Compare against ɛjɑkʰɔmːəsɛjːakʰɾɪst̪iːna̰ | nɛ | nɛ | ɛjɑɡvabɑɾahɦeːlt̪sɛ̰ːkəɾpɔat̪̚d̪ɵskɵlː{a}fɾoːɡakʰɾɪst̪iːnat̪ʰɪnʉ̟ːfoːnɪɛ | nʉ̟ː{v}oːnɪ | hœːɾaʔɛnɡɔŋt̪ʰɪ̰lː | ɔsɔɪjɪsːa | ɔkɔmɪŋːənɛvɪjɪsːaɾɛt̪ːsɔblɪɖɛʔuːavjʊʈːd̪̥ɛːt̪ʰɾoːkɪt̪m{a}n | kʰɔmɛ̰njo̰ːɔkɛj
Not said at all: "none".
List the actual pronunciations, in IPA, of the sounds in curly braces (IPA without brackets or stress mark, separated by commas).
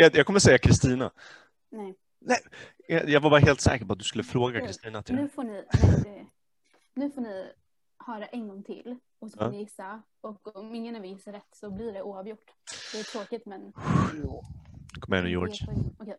ə, f, ɛ